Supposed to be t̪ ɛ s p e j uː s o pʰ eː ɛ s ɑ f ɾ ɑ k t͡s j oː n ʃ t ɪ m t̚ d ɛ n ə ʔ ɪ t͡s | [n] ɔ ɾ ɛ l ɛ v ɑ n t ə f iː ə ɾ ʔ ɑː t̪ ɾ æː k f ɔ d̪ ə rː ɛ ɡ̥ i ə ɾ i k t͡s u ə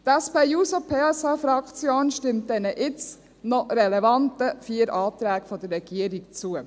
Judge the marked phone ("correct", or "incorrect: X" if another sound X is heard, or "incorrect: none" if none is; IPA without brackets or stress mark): correct